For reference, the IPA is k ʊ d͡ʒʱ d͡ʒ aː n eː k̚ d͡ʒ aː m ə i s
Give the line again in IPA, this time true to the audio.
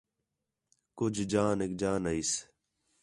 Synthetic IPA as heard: k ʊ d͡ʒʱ d͡ʒ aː n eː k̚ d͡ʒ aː n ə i s